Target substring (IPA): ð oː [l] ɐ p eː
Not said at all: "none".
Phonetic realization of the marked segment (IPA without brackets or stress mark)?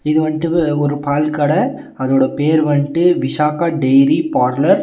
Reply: ɽ